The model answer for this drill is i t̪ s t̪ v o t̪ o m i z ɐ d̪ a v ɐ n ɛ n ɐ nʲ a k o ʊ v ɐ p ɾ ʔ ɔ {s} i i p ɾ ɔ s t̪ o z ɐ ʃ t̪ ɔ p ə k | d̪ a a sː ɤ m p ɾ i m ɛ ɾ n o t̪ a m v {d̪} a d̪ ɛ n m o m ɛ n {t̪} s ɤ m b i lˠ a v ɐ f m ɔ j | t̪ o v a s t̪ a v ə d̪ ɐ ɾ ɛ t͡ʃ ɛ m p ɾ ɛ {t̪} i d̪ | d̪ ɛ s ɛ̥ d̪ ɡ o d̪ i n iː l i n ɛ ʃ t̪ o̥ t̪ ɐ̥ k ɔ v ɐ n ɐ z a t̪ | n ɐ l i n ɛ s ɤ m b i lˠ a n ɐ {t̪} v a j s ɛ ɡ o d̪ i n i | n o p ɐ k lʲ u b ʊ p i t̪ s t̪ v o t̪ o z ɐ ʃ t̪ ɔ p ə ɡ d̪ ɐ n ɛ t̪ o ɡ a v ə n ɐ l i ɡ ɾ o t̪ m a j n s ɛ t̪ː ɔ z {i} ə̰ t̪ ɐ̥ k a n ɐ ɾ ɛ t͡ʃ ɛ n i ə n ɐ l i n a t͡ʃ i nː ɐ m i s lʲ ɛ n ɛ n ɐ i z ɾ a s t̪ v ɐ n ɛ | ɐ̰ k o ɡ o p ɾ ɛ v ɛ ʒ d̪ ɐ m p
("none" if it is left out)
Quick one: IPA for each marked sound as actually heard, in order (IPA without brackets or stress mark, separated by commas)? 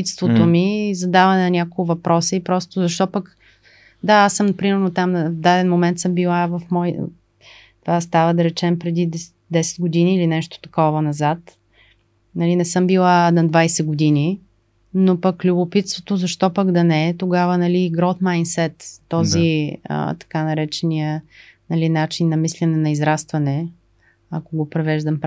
s, d̪, t̪, d̪, d̪, i